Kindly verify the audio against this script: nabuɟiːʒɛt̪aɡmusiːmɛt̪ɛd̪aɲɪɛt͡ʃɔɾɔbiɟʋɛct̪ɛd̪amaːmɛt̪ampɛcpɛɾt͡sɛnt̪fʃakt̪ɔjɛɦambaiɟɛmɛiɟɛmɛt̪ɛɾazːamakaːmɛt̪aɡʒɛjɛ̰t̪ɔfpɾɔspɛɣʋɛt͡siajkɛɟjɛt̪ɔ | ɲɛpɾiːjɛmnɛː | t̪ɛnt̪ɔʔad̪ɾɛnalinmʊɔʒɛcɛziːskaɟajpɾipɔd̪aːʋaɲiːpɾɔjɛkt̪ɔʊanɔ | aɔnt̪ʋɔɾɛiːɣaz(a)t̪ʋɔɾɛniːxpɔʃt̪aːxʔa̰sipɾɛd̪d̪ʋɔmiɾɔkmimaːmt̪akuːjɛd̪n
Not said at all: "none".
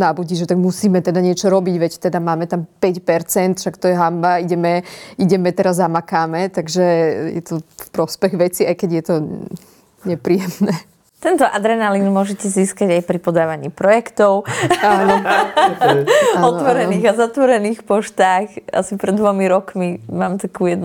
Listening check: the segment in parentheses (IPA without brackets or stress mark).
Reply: a